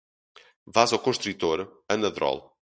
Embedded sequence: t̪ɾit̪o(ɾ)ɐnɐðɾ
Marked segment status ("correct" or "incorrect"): correct